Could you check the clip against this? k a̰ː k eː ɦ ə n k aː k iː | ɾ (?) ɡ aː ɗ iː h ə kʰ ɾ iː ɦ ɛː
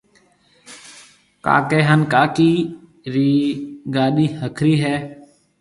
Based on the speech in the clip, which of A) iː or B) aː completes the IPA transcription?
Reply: A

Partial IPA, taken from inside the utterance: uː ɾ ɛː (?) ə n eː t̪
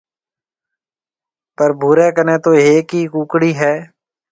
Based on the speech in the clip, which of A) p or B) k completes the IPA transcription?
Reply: B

